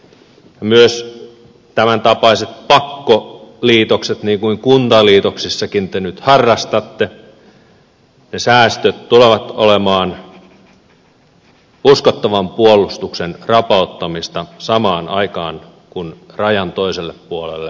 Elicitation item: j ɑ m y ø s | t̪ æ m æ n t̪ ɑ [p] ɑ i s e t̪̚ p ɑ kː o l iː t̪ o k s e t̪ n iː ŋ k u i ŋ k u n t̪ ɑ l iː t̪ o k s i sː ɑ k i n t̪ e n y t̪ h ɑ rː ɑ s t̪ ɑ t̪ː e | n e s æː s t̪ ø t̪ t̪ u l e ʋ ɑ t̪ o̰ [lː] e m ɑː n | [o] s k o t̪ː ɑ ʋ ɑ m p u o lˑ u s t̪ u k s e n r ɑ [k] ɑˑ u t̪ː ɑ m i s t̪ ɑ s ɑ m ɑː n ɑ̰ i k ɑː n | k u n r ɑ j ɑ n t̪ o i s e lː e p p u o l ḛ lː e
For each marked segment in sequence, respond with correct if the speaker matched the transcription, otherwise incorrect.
correct, incorrect: l, incorrect: u, incorrect: p

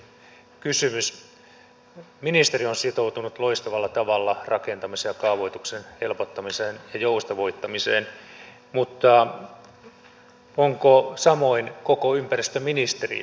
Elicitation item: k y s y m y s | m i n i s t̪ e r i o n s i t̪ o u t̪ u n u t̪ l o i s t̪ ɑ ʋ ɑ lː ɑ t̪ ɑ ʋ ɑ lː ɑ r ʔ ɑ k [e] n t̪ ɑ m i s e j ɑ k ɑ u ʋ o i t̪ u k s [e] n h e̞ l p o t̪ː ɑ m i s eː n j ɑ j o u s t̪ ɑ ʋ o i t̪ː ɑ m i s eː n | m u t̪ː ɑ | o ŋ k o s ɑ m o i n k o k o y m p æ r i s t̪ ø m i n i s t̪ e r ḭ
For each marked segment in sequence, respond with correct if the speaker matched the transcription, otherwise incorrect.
correct, correct

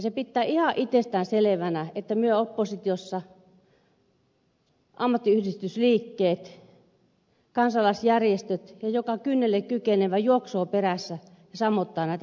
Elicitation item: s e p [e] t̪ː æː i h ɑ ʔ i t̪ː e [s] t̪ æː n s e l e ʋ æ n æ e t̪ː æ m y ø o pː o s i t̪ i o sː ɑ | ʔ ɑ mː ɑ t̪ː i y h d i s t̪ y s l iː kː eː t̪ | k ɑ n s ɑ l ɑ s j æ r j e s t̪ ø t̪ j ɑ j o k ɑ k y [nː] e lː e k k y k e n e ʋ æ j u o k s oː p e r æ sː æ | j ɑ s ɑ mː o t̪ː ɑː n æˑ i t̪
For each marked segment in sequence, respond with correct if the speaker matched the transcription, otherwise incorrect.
incorrect: i, correct, correct

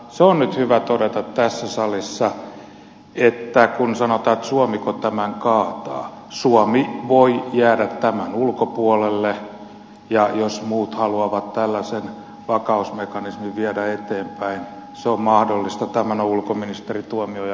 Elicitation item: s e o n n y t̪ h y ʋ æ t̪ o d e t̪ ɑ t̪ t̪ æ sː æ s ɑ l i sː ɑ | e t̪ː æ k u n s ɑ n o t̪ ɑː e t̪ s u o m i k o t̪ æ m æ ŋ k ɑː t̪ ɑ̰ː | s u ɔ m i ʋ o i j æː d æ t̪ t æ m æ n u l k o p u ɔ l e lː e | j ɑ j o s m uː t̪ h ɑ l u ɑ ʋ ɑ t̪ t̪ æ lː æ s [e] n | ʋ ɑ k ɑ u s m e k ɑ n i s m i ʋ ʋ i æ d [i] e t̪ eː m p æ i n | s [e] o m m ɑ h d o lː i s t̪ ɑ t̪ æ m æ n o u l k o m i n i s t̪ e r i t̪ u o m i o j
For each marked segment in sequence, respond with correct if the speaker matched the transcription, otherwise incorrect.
correct, incorrect: æ, correct

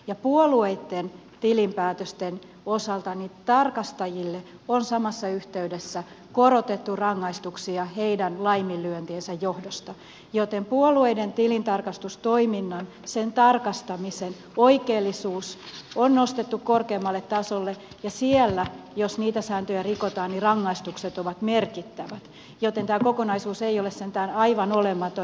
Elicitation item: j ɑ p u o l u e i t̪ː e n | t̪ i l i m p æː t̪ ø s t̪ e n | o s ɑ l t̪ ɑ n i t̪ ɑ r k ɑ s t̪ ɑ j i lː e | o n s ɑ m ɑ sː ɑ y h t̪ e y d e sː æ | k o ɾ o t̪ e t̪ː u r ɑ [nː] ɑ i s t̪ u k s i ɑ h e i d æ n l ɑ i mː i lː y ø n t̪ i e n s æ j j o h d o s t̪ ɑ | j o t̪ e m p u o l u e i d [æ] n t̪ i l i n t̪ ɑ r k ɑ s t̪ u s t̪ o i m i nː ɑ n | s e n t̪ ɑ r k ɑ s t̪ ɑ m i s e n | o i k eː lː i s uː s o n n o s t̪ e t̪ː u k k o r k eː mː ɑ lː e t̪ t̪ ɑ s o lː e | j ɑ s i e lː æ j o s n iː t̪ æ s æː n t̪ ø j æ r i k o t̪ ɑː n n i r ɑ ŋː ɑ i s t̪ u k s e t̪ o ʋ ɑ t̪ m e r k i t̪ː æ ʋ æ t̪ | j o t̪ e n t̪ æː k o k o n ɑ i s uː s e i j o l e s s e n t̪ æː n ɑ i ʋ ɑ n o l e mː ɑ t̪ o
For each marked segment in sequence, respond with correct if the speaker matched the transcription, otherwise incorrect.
incorrect: ŋː, incorrect: e

